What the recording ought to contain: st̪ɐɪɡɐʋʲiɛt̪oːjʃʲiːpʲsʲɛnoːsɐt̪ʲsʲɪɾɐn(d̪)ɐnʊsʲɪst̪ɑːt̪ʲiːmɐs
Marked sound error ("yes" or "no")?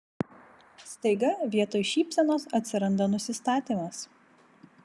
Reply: no